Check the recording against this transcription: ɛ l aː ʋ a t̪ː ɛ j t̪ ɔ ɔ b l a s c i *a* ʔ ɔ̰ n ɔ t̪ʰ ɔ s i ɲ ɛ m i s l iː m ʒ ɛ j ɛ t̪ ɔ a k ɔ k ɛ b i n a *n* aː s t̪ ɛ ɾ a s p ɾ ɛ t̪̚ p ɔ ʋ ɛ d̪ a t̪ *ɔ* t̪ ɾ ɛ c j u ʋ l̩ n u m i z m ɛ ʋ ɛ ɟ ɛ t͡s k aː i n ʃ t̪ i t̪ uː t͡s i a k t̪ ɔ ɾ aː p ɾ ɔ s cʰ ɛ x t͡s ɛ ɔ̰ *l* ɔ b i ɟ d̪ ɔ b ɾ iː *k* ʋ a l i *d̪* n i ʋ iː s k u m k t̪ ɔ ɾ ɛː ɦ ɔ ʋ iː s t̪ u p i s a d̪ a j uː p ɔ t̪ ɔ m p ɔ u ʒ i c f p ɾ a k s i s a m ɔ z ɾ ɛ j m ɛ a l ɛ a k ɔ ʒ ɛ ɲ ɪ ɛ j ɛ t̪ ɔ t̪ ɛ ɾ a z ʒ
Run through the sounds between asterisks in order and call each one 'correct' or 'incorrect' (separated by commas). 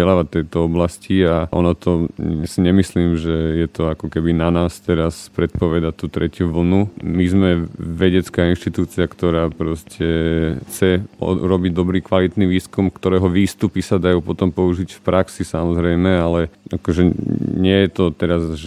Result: correct, correct, incorrect, incorrect, correct, incorrect